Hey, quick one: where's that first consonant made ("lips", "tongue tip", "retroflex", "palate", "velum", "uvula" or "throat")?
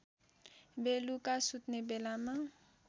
lips